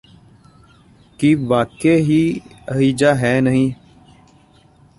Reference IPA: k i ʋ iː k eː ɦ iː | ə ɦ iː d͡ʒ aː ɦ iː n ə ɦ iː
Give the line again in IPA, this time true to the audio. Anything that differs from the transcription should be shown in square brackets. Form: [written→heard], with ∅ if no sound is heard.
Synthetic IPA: k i ʋ [iː→aː] k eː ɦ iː | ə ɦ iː d͡ʒ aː ɦ [iː→ɛː] n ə ɦ [iː→ĩː]

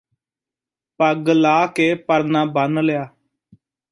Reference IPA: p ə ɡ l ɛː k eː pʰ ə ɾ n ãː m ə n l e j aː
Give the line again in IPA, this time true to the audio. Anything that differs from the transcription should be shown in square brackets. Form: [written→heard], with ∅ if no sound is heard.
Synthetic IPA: p ə ɡ l [ɛː→aː] k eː [pʰ→p] ə ɾ n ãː [m→b] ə n l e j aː

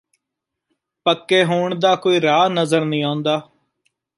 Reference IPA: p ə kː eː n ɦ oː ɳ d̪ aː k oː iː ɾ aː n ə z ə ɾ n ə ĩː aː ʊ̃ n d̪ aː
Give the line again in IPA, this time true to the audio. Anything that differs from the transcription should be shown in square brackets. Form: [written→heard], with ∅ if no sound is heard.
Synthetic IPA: p ə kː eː [n→∅] ɦ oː ɳ d̪ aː k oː iː ɾ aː n ə z ə ɾ n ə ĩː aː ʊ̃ n d̪ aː

